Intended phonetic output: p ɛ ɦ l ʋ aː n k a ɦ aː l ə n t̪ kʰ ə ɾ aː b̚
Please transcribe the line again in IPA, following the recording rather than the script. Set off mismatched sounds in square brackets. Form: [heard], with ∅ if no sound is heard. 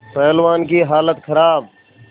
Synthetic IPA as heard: p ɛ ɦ l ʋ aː n k [i] ɦ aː l ə [∅] t̪ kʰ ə ɾ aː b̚

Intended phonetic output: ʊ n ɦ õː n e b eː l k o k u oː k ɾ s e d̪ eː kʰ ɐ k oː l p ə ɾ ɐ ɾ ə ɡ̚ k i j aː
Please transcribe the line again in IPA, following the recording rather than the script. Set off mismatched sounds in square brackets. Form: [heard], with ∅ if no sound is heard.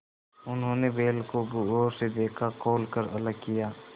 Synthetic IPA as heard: ʊ n ɦ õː n e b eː l k o [ɡ] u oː [∅] ɾ s e d̪ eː kʰ [a] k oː l [k] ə ɾ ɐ [l] ə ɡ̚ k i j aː

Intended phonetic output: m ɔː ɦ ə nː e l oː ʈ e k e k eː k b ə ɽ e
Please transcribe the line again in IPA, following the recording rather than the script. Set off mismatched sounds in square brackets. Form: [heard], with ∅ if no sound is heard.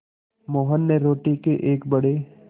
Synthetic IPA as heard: m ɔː ɦ ə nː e [ɾ] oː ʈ [i] k e [ʔ] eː k b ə ɽ e

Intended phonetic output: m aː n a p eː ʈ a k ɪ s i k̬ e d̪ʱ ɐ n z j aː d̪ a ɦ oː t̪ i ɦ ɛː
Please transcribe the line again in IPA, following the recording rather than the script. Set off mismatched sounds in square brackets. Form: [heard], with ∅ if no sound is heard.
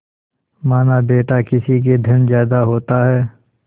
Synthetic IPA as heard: m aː n a [b] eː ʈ a k ɪ s i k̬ e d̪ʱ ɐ n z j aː d̪ a ɦ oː t̪ [a] ɦ ɛː

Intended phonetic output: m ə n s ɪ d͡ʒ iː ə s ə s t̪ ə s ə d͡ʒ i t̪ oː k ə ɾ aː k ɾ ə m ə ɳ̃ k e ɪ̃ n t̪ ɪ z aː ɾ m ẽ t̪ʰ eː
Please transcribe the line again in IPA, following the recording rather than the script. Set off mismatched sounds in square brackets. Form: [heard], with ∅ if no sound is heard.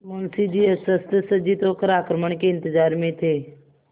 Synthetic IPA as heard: m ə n s [i] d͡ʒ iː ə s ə s t̪ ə s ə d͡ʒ i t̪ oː k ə ɾ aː k ɾ ə m ə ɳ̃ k e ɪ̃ n t̪ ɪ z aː ɾ m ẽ t̪ʰ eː

